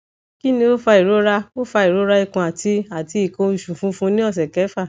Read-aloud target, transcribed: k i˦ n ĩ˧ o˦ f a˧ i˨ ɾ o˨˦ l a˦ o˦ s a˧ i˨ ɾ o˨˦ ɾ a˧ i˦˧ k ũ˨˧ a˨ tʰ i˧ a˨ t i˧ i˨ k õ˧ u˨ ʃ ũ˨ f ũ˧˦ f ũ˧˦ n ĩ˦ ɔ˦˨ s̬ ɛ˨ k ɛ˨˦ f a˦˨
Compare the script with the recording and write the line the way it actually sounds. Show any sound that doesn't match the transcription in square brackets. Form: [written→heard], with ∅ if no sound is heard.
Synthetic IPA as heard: k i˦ n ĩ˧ o˦ f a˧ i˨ ɾ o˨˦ [l→ɾ] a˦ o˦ [s→f] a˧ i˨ ɾ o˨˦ ɾ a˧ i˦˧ k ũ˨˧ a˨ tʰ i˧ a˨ t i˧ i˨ k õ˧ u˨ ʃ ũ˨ f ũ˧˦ f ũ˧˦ n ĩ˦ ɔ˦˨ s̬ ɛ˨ k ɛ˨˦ f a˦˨